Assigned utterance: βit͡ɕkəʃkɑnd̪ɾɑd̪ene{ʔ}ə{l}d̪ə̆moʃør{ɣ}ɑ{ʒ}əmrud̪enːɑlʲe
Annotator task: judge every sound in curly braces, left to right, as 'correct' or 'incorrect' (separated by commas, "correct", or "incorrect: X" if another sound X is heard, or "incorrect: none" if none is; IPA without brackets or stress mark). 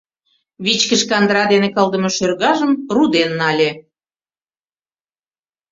incorrect: k, correct, correct, correct